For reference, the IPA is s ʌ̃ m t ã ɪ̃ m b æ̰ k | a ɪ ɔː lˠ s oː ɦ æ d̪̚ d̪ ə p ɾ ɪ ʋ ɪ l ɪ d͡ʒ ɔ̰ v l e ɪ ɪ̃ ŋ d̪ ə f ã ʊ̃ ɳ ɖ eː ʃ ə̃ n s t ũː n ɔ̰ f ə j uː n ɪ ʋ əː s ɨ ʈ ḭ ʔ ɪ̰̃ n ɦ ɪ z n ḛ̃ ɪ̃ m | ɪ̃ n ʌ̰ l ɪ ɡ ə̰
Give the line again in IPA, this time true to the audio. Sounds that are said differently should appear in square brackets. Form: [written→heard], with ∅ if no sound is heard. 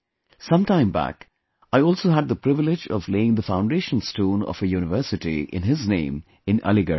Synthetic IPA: s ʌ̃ m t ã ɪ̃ m b æ̰ k | a ɪ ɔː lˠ s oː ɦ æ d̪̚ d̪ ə p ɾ ɪ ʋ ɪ l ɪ d͡ʒ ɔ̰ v l e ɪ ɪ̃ ŋ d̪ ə f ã ʊ̃ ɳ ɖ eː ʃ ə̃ n s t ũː n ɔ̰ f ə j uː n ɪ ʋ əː s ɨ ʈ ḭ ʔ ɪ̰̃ n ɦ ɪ z n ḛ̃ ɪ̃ m | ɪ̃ n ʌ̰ l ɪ ɡ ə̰